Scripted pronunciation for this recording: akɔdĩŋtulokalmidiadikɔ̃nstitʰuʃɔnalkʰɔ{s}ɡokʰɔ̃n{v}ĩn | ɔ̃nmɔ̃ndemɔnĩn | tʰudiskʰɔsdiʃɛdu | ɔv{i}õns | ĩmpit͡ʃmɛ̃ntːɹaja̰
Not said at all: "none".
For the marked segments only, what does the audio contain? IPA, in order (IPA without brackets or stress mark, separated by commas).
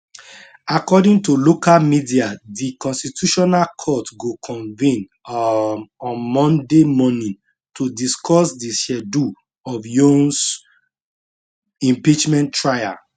t, v, j